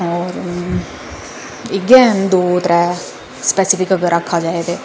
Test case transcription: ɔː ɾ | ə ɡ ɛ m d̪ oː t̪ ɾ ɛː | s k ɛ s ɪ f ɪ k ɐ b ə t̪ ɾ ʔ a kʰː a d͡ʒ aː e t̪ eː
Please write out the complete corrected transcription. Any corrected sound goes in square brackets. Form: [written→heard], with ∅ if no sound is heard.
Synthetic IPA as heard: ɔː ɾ | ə ɡ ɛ [m→n] d̪ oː t̪ ɾ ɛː | s [k→p] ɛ s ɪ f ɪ k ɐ [b→ɡ] ə [t̪→∅] ɾ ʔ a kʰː a d͡ʒ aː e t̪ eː